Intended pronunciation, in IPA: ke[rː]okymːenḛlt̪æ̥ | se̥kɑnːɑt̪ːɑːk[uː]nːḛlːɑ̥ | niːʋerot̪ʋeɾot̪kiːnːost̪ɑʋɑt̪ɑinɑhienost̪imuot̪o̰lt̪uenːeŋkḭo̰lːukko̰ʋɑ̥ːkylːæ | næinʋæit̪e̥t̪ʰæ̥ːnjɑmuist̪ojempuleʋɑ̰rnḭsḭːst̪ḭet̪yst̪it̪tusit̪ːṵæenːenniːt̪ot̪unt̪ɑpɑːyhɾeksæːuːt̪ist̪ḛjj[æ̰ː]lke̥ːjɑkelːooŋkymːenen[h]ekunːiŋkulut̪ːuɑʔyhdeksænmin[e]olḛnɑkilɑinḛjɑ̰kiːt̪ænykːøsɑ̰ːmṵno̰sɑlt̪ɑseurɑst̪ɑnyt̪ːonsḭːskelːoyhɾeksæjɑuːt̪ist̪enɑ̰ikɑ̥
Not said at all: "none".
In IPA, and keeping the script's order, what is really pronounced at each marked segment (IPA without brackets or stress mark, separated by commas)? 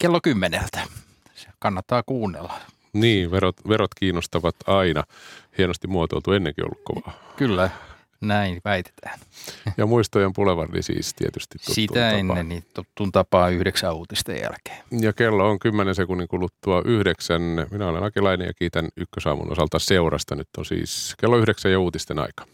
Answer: lː, uː, æ̰, s, æ